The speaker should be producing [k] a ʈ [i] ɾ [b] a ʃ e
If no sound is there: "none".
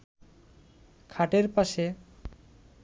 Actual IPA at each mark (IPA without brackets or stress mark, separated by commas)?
kʰ, e, p